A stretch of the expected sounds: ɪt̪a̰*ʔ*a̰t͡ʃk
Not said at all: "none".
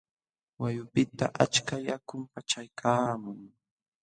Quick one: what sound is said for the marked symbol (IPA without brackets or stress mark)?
ʔ